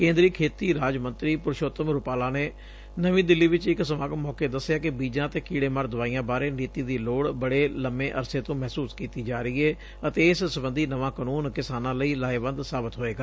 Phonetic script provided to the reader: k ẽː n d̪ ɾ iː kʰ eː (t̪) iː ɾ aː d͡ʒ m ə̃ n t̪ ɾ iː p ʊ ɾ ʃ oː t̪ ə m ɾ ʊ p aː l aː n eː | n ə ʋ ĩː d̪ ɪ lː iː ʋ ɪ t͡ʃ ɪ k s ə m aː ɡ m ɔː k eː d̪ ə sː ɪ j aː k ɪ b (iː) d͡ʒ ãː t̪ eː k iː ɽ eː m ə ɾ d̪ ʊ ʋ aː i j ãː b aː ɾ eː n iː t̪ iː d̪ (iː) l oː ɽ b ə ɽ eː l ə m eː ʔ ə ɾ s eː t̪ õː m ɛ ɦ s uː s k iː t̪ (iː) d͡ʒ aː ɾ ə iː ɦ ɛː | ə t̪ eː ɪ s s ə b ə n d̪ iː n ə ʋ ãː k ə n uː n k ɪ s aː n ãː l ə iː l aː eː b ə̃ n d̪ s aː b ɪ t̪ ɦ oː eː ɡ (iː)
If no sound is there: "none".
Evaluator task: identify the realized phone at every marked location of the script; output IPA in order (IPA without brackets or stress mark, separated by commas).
t̪, iː, iː, iː, aː